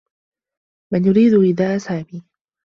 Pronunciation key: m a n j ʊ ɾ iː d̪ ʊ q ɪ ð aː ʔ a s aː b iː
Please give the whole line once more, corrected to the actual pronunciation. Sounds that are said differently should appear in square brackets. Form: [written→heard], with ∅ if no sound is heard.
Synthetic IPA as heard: m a n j ʊ ɾ iː d̪ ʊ [q→ʔ] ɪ ð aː ʔ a s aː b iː